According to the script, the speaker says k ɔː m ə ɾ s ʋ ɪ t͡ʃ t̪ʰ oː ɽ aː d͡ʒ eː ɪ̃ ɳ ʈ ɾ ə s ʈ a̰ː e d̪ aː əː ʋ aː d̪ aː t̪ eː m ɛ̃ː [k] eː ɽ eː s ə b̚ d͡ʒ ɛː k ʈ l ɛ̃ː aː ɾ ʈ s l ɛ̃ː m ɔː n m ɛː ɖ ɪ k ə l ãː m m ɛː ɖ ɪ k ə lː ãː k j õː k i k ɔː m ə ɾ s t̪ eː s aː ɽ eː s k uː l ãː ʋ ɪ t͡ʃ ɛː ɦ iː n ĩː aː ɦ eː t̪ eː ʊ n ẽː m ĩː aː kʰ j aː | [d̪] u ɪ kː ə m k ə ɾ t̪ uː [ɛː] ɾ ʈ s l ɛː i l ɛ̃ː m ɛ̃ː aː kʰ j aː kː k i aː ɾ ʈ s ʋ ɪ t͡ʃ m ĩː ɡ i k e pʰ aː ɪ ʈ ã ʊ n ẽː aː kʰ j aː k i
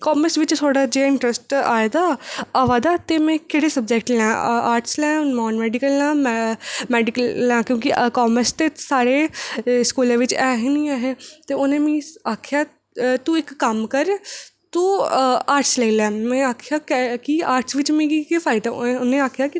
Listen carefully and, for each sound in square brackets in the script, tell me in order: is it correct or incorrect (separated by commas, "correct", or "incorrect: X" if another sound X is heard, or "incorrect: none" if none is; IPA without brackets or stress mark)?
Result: correct, incorrect: t̪, incorrect: aː